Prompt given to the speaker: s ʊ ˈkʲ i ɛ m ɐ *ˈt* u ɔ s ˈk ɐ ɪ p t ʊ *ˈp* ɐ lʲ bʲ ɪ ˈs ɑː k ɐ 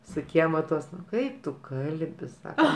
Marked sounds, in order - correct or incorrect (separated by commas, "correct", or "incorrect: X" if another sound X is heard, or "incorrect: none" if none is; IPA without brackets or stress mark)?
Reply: correct, incorrect: k